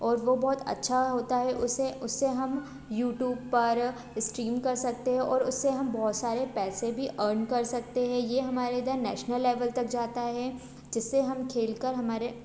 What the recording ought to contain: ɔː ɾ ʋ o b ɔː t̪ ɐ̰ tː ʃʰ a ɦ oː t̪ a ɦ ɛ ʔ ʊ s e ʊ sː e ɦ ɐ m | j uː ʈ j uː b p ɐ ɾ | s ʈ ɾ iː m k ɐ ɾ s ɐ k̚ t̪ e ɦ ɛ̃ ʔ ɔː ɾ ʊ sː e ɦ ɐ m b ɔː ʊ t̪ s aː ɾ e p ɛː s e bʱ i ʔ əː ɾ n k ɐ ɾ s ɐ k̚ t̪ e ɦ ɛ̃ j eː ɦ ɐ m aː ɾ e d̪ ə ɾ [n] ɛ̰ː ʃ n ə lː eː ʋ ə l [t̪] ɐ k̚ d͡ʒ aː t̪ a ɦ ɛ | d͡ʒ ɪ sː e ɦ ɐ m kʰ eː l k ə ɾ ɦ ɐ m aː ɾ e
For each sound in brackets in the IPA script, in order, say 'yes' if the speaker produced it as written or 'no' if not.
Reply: yes, yes

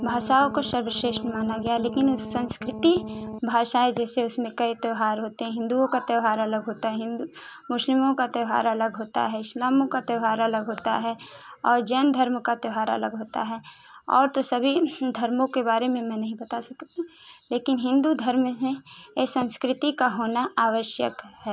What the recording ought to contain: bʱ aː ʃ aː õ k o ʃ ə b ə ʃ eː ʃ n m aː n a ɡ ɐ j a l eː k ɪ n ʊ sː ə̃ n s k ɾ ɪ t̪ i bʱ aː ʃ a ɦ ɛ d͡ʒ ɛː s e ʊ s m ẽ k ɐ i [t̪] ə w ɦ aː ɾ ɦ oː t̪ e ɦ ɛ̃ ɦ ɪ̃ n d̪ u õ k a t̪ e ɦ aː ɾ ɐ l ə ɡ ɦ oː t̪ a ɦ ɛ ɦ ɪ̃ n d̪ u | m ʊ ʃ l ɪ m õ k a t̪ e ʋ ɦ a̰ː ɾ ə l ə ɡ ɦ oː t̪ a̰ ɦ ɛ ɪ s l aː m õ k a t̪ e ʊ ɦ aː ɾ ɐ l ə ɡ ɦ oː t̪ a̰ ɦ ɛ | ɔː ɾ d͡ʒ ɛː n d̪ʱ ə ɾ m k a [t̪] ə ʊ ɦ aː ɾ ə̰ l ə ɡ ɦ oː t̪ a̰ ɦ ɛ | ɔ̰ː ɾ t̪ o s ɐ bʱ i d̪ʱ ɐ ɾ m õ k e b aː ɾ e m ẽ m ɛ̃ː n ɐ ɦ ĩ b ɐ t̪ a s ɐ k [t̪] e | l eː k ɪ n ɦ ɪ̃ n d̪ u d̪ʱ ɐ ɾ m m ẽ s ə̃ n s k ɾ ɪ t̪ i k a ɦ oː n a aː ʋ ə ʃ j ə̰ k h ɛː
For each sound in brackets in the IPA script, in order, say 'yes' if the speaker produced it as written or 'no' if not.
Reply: yes, yes, yes

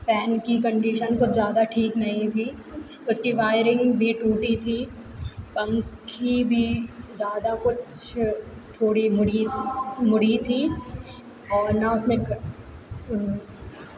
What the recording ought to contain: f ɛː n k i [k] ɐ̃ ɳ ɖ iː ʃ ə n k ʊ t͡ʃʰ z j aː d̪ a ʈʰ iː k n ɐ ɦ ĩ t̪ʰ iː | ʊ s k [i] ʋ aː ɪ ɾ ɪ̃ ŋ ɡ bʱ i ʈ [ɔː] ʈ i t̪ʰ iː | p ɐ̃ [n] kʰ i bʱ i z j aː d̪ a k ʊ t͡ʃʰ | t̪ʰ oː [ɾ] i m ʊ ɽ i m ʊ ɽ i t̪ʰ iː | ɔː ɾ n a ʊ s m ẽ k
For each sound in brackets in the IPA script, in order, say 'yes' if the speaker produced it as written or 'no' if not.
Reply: yes, yes, no, no, no

